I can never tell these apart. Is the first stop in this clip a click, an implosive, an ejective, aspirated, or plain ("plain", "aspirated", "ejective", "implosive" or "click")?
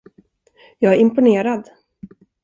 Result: plain